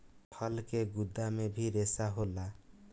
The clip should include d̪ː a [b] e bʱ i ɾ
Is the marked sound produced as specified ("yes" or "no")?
no